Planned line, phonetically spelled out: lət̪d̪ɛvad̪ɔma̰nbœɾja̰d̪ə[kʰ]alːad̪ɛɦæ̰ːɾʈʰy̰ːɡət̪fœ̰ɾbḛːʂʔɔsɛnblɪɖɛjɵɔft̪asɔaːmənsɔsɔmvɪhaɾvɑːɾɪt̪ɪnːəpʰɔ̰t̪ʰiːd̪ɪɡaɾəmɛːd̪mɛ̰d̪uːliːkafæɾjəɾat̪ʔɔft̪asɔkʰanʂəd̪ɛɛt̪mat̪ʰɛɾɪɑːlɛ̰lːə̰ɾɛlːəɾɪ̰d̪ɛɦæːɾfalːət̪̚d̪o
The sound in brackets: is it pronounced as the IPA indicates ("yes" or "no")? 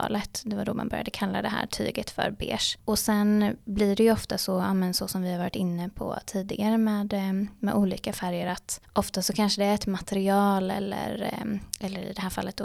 yes